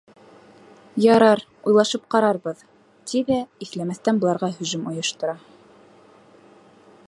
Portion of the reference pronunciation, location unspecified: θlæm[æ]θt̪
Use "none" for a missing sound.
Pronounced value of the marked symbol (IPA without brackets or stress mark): æ